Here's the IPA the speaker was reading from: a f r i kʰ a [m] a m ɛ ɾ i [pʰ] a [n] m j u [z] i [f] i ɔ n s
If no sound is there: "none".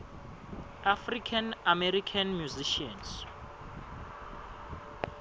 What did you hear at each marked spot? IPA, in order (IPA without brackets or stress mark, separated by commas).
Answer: n, kʰ, n, z, ʃ